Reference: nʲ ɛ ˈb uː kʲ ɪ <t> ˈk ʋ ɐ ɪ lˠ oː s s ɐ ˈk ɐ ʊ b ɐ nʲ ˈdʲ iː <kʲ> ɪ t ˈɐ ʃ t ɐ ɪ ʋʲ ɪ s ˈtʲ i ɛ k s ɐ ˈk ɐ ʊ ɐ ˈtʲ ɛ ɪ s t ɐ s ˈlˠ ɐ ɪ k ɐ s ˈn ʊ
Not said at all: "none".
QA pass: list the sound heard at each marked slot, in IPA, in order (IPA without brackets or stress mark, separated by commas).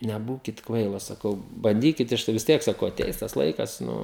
t, kʲ